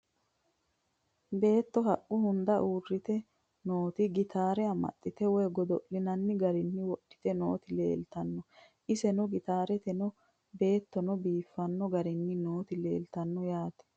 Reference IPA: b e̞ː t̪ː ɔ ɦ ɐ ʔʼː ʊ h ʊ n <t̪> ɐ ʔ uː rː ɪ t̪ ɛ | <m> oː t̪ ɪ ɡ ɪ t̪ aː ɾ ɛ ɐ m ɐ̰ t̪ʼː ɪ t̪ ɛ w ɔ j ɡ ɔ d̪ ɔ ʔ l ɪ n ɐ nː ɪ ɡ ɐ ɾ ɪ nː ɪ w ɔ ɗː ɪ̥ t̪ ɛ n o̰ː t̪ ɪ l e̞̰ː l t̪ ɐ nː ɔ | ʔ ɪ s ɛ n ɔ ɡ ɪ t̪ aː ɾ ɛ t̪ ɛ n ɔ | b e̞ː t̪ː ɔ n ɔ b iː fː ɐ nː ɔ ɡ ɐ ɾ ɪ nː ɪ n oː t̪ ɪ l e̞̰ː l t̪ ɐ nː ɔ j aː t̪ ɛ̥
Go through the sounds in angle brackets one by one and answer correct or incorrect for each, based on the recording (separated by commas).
incorrect, incorrect